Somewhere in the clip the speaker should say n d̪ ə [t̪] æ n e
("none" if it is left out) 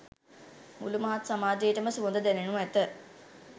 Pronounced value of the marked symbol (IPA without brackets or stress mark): d̪